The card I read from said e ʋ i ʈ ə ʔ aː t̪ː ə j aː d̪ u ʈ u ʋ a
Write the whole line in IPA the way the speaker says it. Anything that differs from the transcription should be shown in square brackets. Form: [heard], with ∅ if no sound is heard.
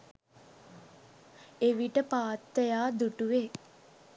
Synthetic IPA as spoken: e ʋ i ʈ ə [p] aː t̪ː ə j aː d̪ u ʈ u ʋ [e]